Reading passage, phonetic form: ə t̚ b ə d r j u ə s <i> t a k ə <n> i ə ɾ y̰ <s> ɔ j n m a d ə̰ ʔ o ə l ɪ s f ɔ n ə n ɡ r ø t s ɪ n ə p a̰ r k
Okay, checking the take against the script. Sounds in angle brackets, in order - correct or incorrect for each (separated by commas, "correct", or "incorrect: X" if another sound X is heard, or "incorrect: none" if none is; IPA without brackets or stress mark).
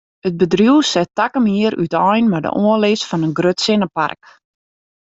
incorrect: ɛ, incorrect: m, incorrect: t